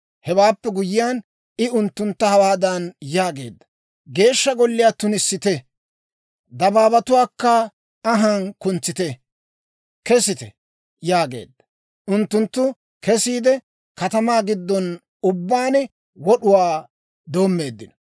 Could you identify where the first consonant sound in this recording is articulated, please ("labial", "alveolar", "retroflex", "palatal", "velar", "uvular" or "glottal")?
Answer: glottal